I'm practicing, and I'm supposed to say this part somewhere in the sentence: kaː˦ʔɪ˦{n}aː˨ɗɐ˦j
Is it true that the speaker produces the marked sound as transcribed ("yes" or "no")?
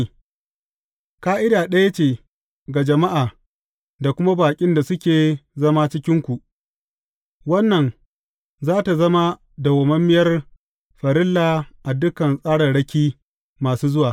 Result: no